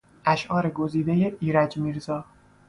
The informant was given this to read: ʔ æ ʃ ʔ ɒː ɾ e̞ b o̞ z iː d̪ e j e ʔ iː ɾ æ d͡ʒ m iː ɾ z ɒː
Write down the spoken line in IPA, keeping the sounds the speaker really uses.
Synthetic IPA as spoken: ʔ æ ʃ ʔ ɒː ɾ e̞ ɡ o̞ z iː d̪ e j e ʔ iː ɾ æ d͡ʒ m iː ɾ z ɒː